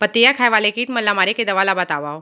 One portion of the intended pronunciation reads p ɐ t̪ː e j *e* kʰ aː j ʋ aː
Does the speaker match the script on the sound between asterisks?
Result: no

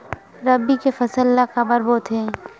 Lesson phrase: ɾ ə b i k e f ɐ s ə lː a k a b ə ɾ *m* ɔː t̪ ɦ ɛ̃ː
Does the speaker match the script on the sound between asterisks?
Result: no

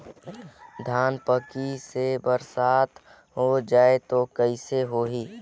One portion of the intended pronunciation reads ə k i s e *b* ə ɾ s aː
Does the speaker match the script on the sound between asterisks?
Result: yes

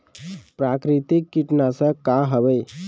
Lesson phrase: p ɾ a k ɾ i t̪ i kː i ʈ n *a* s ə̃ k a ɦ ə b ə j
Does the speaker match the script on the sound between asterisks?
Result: yes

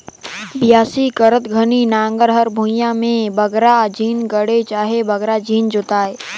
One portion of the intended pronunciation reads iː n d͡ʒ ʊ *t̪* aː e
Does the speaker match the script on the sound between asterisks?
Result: yes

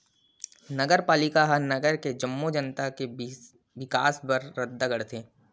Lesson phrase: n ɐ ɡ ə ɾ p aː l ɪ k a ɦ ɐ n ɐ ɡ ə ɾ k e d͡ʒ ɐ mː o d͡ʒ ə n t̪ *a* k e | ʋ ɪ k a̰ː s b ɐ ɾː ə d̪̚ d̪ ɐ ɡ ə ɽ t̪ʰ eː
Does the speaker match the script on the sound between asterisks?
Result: yes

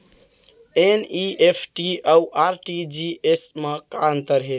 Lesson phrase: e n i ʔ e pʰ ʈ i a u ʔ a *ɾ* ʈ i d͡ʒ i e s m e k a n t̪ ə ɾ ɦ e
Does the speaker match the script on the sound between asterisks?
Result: yes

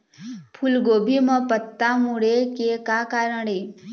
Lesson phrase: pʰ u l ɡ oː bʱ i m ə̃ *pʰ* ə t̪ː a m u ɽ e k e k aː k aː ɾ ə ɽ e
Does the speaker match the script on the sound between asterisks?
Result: no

